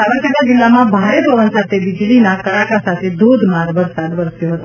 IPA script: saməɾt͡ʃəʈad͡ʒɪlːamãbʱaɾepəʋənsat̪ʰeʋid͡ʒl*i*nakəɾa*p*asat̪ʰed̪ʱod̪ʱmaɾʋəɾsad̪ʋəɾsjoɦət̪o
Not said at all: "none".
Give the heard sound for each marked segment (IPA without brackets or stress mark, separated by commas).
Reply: i, k